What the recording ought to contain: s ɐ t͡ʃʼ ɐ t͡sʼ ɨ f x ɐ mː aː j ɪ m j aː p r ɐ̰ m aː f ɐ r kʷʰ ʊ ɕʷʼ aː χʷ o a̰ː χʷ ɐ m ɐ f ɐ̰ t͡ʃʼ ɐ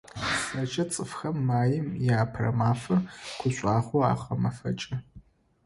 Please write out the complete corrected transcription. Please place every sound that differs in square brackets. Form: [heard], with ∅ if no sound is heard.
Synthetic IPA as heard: s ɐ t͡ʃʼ ɐ t͡sʼ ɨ f x ɐ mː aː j ɪ m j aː [pʰ] r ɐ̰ m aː f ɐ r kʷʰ ʊ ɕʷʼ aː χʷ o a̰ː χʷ ɐ m ɐ f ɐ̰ t͡ʃʼ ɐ